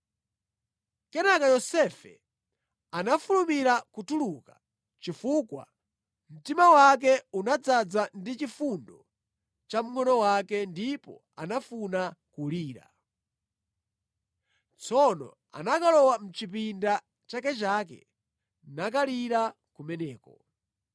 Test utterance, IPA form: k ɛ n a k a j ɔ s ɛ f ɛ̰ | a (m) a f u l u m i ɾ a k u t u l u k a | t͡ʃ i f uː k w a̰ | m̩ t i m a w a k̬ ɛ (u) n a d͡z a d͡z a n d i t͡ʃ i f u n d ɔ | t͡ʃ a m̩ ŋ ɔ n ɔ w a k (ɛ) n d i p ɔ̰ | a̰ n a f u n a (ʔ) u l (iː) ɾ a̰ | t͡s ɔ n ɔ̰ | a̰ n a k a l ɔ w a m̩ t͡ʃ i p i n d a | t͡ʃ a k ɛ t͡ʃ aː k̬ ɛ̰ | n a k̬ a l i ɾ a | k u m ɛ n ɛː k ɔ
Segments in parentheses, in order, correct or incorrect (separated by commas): incorrect, correct, correct, incorrect, correct